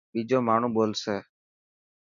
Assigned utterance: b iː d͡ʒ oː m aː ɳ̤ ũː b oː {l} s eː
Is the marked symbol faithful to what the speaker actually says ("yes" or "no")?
yes